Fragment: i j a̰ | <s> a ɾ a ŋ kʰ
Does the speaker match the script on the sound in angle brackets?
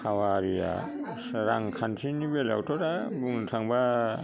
yes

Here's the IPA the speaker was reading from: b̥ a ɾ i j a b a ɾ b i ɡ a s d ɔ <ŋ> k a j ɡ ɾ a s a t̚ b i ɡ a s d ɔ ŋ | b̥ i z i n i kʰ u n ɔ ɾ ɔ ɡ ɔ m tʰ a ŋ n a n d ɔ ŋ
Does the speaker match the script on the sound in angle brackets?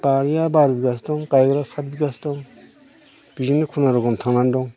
yes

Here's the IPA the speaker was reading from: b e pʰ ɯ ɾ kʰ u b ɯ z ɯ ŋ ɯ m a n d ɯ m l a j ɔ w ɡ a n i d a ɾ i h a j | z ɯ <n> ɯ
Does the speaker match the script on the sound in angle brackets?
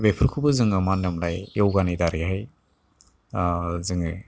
no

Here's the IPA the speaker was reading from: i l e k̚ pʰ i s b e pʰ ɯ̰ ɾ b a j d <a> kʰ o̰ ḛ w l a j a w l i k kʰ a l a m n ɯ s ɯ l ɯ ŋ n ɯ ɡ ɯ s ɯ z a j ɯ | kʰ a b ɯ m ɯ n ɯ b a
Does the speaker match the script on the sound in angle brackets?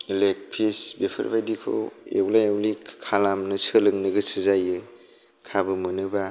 no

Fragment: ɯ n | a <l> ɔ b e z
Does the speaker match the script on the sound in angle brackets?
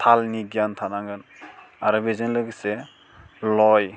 no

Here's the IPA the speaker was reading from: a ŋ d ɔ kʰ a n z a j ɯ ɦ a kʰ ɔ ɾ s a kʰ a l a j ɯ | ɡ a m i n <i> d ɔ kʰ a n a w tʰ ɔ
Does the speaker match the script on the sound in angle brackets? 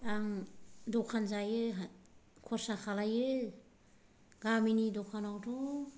yes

